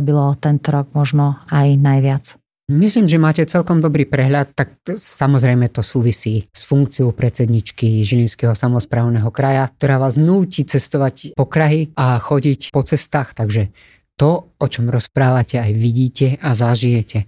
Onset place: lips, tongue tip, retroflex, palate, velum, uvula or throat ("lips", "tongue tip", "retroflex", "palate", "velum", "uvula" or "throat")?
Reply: lips